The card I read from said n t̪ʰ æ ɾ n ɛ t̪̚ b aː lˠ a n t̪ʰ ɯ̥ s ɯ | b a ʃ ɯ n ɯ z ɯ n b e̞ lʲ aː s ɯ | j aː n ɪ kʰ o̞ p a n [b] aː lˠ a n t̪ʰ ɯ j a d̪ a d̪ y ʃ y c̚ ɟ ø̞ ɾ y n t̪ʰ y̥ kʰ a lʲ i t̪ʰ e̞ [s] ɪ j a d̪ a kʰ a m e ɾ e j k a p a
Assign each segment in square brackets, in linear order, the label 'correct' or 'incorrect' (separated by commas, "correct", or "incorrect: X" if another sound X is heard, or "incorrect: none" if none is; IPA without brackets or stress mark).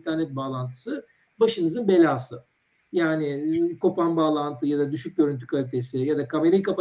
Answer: correct, correct